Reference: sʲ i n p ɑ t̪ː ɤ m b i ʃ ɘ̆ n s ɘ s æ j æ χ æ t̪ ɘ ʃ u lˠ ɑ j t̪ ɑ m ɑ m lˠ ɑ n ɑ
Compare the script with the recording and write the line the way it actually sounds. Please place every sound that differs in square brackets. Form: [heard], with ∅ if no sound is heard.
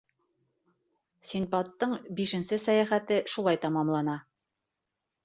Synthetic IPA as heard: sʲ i n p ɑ t̪ː ɤ [ɴ] b i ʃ ɘ̆ n s ɘ s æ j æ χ æ t̪ ɘ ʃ u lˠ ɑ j t̪ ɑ m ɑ m lˠ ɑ n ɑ